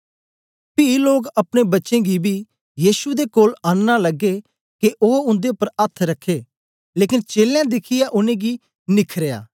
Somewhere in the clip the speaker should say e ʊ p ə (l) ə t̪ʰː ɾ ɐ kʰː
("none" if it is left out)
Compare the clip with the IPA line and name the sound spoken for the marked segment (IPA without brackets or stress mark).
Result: ɾ